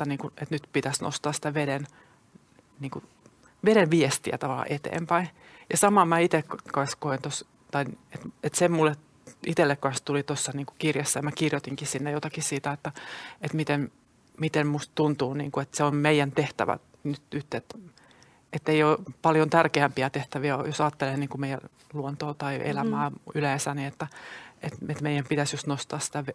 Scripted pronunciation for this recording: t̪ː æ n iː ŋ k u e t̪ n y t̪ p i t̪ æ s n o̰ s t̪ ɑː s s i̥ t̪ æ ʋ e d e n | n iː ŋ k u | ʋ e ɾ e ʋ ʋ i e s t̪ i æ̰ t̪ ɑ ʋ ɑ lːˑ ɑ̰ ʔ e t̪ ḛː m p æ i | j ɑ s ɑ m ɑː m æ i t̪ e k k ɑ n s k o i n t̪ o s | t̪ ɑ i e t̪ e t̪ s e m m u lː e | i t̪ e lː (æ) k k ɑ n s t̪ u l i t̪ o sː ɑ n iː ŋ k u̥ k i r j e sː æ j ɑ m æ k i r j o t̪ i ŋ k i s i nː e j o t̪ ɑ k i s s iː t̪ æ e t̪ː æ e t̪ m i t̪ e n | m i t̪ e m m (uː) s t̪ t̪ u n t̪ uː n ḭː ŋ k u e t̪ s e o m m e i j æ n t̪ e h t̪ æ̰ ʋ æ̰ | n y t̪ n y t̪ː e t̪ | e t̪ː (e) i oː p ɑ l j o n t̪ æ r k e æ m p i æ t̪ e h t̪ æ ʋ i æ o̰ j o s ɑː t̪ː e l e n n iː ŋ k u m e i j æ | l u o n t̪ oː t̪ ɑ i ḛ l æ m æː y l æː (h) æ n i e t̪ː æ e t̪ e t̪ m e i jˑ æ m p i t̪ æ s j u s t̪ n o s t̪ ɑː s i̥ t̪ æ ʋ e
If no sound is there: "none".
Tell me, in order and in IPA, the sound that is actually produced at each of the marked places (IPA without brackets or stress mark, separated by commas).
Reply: e, u, e, s